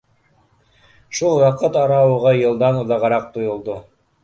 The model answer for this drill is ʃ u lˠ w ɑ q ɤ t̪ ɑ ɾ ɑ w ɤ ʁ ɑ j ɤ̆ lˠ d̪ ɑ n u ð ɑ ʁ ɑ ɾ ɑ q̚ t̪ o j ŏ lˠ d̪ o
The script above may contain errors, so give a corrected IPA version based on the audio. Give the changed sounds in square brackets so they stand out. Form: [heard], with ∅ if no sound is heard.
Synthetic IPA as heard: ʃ u lˠ w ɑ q ɤ t̪ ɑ ɾ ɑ w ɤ ʁ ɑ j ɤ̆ lˠ d̪ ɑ n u ð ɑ ʁ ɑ ɾ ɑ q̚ t̪ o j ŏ lˠ d̪ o